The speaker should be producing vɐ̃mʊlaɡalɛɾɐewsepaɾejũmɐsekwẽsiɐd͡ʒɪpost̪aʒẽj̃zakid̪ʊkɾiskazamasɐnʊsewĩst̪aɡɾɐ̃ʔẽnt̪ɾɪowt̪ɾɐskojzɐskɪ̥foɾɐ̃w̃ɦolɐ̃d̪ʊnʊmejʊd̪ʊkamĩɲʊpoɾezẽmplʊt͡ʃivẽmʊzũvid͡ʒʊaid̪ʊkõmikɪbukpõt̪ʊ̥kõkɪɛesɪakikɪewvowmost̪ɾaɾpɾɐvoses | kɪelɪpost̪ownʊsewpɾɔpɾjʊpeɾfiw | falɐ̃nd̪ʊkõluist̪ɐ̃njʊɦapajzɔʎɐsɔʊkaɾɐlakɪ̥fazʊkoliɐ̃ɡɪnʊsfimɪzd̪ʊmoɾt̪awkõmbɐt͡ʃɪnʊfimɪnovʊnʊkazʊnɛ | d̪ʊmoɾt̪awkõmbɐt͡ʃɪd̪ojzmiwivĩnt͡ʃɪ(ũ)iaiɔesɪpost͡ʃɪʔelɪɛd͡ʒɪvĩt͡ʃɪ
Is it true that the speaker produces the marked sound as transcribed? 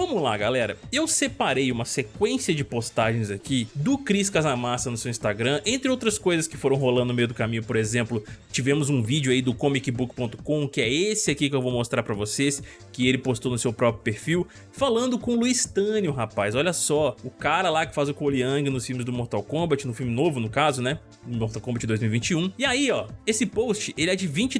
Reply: yes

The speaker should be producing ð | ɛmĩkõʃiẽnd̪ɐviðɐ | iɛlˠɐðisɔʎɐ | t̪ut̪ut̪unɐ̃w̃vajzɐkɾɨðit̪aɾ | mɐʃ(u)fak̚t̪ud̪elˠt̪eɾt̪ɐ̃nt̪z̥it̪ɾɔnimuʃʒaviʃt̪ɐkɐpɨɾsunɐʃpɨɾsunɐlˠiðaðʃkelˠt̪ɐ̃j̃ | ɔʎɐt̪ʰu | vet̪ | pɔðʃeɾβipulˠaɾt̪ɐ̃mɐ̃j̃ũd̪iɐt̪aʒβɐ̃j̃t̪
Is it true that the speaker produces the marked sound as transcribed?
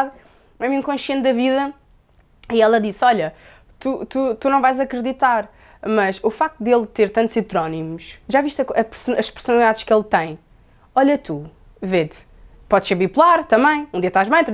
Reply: yes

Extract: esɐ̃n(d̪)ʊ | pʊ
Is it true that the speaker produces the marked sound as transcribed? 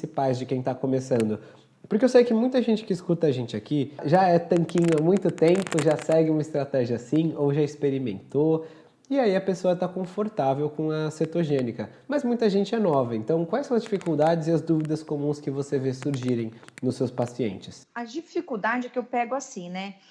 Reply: yes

